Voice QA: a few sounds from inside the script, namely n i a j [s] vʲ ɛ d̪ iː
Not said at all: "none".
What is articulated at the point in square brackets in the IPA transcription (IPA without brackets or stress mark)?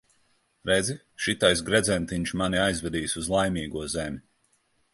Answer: z